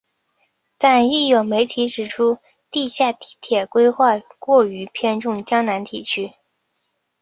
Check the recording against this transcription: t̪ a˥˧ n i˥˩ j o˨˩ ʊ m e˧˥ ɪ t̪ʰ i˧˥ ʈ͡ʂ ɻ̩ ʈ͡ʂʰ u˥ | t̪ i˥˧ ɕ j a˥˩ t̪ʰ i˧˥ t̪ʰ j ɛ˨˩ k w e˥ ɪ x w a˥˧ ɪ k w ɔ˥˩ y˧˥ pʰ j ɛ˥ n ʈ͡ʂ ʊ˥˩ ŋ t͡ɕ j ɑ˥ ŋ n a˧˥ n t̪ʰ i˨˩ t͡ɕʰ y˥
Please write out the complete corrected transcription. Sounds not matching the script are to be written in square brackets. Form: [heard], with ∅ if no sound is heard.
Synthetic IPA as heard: t̪ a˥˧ n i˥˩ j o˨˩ ʊ m e˧˥ ɪ t̪ʰ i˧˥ ʈ͡ʂ ɻ̩ ʈ͡ʂʰ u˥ | t̪ i˥˧ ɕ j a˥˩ [t̪] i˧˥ t̪ʰ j ɛ˨˩ k w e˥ ɪ x w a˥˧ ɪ k w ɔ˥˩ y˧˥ pʰ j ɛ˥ n ʈ͡ʂ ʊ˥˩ ŋ t͡ɕ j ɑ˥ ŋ n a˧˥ n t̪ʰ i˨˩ t͡ɕʰ y˥